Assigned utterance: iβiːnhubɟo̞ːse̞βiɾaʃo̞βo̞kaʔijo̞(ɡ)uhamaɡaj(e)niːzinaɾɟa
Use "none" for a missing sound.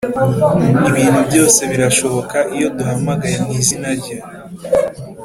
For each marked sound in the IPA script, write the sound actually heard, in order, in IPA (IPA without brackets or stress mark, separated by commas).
d, e